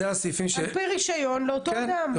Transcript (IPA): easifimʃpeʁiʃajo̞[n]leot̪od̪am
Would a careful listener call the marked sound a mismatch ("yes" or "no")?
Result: no